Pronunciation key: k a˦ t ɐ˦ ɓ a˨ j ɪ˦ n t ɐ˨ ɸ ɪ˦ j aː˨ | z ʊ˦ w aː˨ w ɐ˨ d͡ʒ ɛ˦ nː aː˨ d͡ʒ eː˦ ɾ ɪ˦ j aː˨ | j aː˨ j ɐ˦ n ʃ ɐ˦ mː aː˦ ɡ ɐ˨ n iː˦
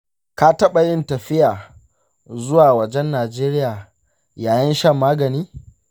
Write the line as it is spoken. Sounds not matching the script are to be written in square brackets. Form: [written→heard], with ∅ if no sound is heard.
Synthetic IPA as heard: k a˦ t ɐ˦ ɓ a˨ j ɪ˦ n t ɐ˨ ɸ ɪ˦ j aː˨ | z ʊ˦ w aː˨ w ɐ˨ d͡ʒ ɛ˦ nː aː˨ d͡ʒ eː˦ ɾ ɪ˦ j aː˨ | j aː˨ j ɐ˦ n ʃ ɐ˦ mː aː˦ ɡ ɐ˨ n iː˦